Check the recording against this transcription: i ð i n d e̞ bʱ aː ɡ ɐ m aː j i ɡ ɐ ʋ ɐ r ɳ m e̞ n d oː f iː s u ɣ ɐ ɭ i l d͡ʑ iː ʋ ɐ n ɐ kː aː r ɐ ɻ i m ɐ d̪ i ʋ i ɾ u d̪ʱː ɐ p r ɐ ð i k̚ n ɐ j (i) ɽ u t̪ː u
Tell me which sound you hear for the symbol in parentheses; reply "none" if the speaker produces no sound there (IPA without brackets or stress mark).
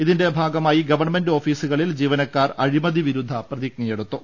e